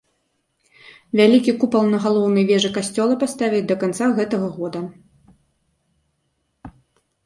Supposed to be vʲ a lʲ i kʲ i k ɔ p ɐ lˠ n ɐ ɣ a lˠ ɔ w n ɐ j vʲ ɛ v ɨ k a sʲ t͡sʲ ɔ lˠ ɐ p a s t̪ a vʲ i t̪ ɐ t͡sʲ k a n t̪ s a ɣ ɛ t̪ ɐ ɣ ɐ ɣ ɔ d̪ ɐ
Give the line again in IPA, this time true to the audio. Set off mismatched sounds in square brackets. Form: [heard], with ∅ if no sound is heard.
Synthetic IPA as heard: vʲ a lʲ i kʲ i k [u] p ɐ lˠ n ɐ ɣ a lˠ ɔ w n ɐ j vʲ ɛ [ʐ] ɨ k a sʲ t͡sʲ ɔ lˠ ɐ p a s t̪ a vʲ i [d̪] ɐ [∅] k a n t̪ s a ɣ ɛ t̪ ɐ ɣ ɐ ɣ ɔ d̪ ɐ